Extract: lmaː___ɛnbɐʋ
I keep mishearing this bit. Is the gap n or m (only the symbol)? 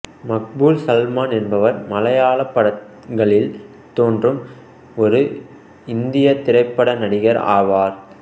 n